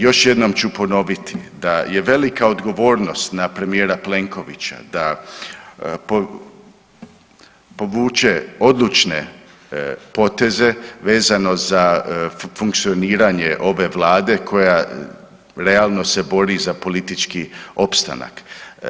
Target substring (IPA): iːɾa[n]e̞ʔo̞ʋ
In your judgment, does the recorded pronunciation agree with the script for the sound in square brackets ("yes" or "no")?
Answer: no